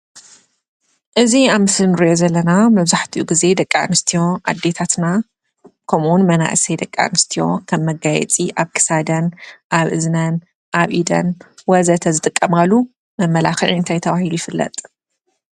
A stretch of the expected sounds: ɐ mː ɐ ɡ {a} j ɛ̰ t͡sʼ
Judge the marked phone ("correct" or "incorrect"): correct